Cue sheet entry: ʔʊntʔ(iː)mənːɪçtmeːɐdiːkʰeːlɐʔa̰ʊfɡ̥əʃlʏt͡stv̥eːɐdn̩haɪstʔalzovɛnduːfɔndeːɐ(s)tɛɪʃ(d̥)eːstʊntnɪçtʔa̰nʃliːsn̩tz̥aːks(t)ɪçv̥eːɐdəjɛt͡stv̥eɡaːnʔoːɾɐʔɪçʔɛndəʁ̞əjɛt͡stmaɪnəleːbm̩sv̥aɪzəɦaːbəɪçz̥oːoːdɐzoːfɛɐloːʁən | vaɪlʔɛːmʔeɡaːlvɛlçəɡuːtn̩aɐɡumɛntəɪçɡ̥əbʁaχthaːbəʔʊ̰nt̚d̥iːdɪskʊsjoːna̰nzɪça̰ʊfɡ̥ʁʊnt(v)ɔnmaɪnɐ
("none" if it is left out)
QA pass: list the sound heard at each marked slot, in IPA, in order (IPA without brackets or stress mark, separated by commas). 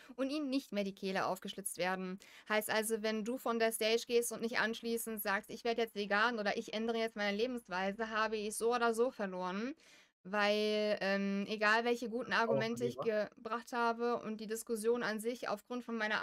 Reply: iː, s, ɡ̥, t, f